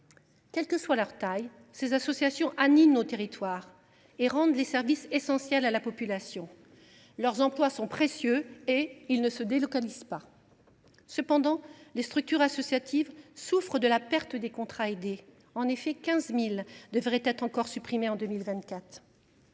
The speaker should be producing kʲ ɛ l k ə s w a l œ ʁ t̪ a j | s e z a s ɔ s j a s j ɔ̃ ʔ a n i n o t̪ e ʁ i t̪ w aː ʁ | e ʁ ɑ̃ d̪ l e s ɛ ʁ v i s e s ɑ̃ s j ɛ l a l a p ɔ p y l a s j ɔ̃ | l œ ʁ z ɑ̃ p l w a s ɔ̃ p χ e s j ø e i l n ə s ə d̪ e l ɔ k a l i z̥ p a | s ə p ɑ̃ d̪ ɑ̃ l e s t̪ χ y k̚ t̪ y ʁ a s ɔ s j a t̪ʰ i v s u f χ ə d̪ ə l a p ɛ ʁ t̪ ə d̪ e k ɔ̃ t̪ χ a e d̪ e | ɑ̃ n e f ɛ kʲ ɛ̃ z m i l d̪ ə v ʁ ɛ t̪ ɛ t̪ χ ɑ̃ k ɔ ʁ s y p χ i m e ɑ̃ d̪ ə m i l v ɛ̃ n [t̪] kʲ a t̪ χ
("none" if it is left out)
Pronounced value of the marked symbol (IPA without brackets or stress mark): t̪